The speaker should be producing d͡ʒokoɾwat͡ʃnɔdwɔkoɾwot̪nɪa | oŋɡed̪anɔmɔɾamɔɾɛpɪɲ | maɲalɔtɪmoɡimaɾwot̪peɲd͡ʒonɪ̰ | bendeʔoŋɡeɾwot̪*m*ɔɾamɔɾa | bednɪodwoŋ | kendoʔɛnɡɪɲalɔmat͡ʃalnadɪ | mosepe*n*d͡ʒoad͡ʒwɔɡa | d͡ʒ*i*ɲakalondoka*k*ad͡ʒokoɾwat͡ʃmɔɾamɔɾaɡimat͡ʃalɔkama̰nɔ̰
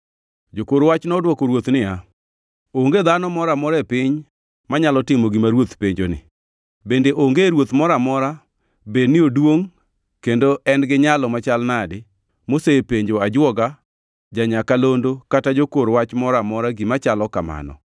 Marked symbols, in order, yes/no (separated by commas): yes, no, no, no